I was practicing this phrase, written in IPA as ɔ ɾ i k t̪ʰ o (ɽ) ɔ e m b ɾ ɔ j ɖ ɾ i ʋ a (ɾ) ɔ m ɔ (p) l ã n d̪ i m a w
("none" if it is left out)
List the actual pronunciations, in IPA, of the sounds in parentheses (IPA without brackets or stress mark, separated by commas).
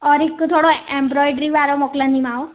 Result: ɽ, ɾ, k